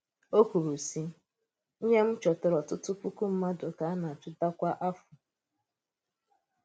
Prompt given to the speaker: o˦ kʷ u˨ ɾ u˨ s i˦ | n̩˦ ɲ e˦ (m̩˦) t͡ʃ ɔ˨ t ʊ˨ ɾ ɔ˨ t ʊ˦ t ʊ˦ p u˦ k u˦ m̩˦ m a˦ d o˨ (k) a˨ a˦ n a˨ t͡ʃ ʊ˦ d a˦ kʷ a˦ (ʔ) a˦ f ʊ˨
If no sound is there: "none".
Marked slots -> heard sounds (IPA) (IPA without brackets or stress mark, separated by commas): m̩˦, k, ʔ